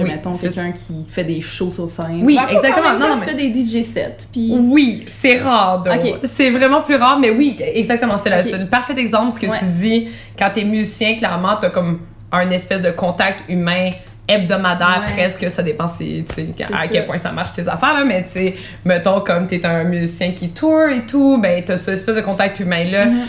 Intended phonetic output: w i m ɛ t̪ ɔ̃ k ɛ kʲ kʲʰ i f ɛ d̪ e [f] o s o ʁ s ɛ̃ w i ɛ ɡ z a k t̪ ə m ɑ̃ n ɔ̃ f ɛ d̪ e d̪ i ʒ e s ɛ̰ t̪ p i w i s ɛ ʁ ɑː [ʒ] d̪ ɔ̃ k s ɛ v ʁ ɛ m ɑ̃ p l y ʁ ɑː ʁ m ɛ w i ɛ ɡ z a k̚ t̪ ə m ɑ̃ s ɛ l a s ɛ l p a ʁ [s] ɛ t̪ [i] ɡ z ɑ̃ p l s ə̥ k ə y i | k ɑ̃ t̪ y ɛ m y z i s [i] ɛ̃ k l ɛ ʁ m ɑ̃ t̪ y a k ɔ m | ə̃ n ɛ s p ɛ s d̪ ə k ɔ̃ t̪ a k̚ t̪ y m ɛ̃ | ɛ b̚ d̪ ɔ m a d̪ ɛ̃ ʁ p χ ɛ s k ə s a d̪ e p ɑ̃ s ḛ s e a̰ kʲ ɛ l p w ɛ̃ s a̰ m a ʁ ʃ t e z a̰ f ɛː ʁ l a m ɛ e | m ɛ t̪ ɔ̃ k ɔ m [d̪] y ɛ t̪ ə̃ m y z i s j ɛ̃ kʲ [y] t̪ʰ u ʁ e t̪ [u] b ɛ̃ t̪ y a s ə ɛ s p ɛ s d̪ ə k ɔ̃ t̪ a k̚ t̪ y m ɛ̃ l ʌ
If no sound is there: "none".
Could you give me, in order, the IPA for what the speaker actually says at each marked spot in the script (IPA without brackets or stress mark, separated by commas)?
ʃ, ʁ, f, ɛ, j, t̪, i, u